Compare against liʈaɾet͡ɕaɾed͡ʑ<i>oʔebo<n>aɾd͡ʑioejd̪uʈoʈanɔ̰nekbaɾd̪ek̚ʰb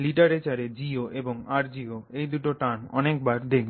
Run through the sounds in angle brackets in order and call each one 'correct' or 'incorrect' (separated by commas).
correct, incorrect